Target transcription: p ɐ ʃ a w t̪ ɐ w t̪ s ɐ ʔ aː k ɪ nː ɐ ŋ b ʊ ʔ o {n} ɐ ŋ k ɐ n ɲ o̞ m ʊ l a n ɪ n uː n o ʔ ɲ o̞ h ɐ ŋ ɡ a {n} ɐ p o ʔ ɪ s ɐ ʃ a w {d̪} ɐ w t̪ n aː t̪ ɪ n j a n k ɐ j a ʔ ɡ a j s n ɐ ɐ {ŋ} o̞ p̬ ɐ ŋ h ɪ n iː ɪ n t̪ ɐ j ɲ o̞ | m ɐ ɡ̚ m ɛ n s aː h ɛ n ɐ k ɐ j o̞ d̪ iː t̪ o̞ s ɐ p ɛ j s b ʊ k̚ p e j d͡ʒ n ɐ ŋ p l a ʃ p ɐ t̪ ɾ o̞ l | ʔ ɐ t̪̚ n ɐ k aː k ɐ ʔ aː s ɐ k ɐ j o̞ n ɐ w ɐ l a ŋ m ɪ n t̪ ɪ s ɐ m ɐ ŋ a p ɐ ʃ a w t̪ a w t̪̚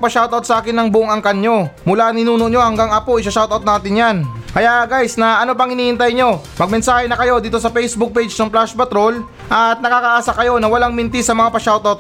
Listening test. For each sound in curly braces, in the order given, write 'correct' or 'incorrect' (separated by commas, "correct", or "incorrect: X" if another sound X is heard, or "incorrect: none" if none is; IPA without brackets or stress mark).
incorrect: ŋ, incorrect: ŋ, incorrect: t̪, incorrect: n